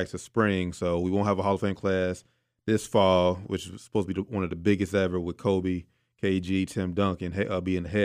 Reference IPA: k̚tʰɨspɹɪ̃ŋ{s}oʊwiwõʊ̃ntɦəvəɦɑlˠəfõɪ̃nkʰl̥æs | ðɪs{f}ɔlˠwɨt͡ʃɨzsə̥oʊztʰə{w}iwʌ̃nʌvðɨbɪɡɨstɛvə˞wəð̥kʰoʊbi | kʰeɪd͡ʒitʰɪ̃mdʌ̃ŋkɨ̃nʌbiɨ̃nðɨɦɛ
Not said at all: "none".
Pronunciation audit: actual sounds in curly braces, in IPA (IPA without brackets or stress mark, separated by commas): s, f, b